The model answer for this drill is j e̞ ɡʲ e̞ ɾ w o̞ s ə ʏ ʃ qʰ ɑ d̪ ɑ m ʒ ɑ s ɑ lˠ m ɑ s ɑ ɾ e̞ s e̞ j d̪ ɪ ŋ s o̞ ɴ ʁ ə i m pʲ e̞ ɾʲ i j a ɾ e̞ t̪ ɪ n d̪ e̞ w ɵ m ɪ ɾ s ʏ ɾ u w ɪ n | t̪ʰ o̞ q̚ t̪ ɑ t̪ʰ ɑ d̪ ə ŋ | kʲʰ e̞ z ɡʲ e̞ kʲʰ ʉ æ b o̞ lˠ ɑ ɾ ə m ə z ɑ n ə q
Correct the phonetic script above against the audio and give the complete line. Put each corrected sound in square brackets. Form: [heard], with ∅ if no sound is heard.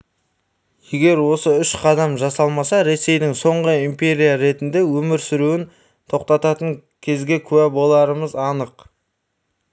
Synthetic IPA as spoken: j e̞ ɡʲ e̞ ɾ w o̞ s ə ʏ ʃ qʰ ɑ d̪ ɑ m ʒ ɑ s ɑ lˠ m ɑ s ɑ ɾ e̞ s e̞ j d̪ ɪ ŋ s o̞ ɴ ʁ ə i m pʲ e̞ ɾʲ i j a ɾ e̞ t̪ ɪ n d̪ e̞ w ɵ m ɪ ɾ s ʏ ɾ u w ɪ n | t̪ʰ o̞ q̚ t̪ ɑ [t̪] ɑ [t̪] ə ŋ | kʲʰ e̞ z ɡʲ e̞ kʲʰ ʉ æ b o̞ lˠ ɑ ɾ ə m ə z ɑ n ə q

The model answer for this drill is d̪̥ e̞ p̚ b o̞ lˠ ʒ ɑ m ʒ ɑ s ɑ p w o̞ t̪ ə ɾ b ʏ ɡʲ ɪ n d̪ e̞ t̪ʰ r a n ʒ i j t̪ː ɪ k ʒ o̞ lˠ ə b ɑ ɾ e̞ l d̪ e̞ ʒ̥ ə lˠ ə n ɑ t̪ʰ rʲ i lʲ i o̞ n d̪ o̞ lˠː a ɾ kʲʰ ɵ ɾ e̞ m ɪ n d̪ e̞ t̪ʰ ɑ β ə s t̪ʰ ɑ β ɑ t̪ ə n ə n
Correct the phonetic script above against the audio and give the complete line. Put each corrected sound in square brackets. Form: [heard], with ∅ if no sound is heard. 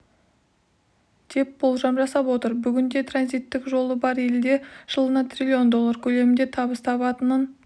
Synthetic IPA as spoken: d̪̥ e̞ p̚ b o̞ lˠ ʒ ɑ m ʒ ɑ s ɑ p w o̞ t̪ ə ɾ b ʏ ɡʲ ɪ n d̪ e̞ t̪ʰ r a n [z] i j t̪ː ɪ k ʒ o̞ lˠ ə b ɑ ɾ e̞ l d̪ e̞ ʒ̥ ə lˠ ə n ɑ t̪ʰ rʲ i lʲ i o̞ n d̪ o̞ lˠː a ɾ kʲʰ ɵ [l] e̞ m ɪ n d̪ e̞ t̪ʰ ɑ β ə s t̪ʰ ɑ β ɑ t̪ ə n ə n

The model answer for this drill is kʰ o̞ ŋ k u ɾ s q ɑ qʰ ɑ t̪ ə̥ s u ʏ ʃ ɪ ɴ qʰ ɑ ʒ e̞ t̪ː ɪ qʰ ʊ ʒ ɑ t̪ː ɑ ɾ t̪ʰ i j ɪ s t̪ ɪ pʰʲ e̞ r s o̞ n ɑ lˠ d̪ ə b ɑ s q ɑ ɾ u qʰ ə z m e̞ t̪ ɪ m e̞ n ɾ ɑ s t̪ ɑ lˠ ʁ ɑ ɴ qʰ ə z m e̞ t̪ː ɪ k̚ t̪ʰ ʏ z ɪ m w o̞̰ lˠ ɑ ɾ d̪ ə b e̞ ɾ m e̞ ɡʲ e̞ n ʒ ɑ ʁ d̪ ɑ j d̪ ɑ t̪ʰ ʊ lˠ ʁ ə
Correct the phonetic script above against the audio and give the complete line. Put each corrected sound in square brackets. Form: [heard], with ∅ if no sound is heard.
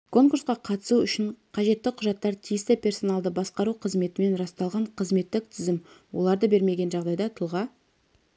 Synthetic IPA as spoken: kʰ o̞ ŋ k u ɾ s q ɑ qʰ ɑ t̪ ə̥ s u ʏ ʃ ɪ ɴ qʰ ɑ ʒ e̞ t̪ː ɪ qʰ ʊ ʒ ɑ t̪ː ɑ ɾ t̪ʰ i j ɪ s t̪ ɪ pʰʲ e̞ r s o̞ n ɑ lˠ d̪ ə b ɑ s q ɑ ɾ u qʰ ə z m e̞ t̪ ɪ m e̞ n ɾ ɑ s t̪ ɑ lˠ ʁ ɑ ɴ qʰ ə z m e̞ t̪ː ɪ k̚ t̪ʰ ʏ z ɪ m w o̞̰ lˠ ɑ ɾ d̪ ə b e̞ ɾ m e̞ ɡʲ e̞ n ʒ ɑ ʁ d̪ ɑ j d̪ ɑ t̪ʰ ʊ lˠ ʁ [ɑ]

